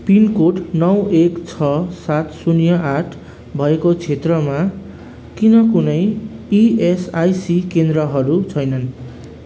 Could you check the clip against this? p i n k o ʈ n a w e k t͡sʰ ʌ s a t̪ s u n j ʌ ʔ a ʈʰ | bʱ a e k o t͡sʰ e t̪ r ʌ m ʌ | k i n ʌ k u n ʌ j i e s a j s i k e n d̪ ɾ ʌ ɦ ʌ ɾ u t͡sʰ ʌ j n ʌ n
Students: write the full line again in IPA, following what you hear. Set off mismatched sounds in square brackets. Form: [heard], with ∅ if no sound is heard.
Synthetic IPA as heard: p i n k o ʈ n [ʌ] w e k t͡sʰ ʌ s a t̪ s u n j ʌ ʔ a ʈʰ | bʱ [ʌ] e k o t͡sʰ e t̪ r ʌ m [a] | k i n ʌ k u n ʌ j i e s a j s i k e n d̪ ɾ ʌ ɦ ʌ ɾ u t͡sʰ ʌ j n ʌ n